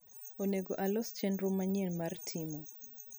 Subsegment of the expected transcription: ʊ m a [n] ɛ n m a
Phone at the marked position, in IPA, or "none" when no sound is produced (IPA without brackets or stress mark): ɲ